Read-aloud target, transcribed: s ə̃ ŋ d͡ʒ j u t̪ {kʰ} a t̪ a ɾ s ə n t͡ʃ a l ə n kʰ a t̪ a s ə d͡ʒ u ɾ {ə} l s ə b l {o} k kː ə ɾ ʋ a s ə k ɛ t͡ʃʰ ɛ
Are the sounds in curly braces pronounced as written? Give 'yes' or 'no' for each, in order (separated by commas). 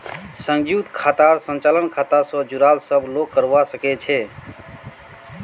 yes, no, yes